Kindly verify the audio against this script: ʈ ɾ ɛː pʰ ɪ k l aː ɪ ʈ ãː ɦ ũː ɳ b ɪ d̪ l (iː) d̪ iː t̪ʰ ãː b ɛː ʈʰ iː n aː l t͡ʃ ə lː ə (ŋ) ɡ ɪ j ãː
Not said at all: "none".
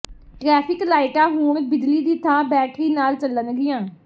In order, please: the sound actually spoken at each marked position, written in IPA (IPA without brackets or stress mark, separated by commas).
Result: iː, n